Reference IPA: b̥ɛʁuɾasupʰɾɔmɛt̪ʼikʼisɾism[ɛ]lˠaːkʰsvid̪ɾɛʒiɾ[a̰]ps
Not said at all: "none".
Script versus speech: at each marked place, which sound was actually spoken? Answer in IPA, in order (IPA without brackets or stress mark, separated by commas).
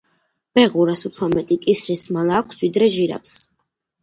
a, a̰